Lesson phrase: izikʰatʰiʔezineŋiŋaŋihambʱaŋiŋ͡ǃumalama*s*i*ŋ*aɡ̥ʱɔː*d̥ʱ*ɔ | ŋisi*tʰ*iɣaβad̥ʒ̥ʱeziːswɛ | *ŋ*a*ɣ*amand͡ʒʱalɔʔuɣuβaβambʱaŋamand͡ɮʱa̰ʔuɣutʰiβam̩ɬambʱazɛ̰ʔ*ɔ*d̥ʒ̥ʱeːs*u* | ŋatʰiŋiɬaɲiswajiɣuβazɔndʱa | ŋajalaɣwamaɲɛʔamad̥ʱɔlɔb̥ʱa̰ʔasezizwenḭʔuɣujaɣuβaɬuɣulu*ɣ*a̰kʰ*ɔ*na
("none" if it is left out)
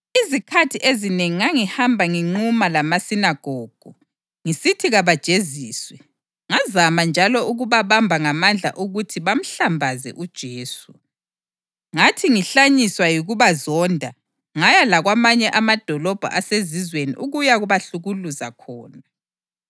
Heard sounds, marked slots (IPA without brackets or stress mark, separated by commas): s, n, ɡ̥ʱ, tʰ, ŋ, z, u, u, z, ɔː